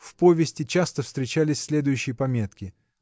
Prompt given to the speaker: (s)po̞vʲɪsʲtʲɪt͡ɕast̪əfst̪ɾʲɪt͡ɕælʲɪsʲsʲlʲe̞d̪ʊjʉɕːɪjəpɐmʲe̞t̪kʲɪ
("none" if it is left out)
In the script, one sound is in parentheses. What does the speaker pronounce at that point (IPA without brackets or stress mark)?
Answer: f